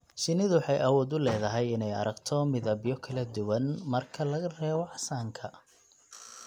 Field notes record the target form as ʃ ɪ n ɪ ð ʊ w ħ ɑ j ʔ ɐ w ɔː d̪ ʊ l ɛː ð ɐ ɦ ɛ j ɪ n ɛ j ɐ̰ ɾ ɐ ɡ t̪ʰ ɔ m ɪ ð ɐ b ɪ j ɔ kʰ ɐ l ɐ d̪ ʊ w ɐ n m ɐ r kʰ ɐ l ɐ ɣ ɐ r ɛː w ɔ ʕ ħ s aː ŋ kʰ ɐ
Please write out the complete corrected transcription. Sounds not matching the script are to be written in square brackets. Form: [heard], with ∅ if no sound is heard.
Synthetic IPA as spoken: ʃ ɪ n ɪ ð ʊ w ħ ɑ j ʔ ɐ w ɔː d̪ ʊ l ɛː ð ɐ ɦ ɛ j ɪ n ɛ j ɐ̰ ɾ ɐ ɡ t̪ʰ ɔ m ɪ ð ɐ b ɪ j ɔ kʰ ɐ l ɐ d̪ ʊ w ɐ n m ɐ r kʰ ɐ l ɐ ɣ ɐ r ɛː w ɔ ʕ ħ s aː ŋ kʰ ɐ